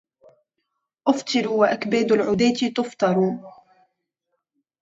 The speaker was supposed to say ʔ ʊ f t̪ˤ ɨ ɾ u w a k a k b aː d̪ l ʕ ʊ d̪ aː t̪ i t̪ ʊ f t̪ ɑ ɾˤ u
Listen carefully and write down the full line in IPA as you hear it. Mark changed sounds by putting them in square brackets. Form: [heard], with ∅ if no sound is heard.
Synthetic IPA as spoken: ʔ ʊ f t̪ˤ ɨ ɾ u w a [ʔ] a k b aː d̪ l ʕ ʊ d̪ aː t̪ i t̪ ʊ f t̪ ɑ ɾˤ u